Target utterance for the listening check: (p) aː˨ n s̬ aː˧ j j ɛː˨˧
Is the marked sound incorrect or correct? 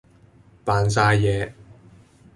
correct